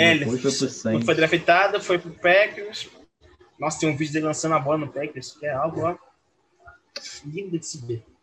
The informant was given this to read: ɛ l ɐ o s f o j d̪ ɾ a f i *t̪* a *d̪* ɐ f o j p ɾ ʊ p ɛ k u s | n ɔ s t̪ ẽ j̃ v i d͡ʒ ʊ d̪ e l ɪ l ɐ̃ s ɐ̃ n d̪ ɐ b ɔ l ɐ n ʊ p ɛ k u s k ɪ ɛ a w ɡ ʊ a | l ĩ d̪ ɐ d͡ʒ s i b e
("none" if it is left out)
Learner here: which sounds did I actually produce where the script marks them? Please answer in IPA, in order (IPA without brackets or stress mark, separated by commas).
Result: t̪, d̪